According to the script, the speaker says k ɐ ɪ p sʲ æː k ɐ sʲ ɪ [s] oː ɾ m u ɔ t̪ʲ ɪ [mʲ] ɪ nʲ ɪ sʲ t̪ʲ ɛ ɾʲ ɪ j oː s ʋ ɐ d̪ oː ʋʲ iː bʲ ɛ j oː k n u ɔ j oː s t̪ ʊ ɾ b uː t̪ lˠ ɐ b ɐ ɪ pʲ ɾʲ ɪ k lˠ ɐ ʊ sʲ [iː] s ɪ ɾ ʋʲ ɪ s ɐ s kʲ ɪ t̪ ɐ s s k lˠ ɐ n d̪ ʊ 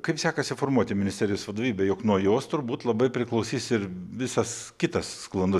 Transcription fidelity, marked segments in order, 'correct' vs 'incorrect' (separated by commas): incorrect, correct, correct